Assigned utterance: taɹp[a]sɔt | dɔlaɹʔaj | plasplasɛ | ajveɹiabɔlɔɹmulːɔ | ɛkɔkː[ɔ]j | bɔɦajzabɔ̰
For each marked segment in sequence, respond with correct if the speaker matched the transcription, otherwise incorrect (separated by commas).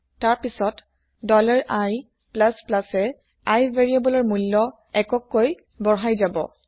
incorrect, incorrect